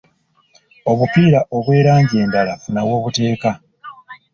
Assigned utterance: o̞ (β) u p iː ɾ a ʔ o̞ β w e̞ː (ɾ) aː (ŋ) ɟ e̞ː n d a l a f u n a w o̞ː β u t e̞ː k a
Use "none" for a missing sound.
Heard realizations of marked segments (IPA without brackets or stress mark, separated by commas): β, ɾ, ɲ